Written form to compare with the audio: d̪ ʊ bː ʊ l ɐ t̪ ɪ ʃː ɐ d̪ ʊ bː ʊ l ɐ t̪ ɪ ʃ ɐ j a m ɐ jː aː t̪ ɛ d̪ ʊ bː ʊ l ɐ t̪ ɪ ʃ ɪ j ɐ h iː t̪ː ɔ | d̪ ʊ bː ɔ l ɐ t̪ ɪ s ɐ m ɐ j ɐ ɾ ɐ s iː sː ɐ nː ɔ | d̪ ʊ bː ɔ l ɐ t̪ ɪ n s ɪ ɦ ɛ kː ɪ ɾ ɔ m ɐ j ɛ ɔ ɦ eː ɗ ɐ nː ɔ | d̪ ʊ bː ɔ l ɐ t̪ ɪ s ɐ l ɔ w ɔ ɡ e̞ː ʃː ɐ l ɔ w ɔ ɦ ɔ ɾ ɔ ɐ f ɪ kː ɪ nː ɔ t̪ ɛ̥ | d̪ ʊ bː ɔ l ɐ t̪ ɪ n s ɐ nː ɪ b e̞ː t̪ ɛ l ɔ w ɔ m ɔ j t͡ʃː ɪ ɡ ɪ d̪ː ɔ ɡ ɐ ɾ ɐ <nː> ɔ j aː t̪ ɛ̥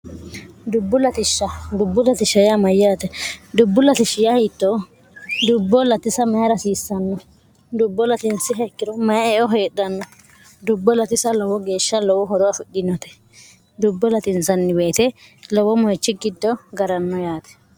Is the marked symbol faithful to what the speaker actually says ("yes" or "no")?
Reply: yes